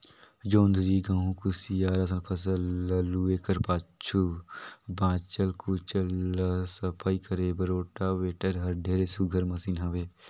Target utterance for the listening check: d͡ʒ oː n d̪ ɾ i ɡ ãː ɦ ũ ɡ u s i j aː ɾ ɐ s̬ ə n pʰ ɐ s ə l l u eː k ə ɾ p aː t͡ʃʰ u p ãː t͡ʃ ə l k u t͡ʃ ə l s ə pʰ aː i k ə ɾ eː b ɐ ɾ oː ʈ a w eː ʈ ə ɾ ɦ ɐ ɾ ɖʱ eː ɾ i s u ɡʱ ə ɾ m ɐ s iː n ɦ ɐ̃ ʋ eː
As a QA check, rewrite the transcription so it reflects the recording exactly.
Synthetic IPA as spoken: d͡ʒ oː n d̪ ɾ i ɡ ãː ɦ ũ k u s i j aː ɾ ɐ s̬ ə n pʰ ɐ s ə l l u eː k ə ɾ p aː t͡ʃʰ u b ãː t͡ʃ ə l k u t͡ʃ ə l s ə pʰ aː i k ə ɾ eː b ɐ ɾ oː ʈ a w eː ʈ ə ɾ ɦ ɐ ɾ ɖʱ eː ɾ e s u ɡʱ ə ɾ m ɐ s iː n ɦ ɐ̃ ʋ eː